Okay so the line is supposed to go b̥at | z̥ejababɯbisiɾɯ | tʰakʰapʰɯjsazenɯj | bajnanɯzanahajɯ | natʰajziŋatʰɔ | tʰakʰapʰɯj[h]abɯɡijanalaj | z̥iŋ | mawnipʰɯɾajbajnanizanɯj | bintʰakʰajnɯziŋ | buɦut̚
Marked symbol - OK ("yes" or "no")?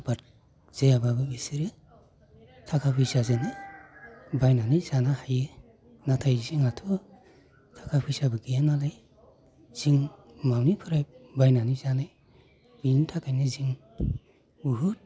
no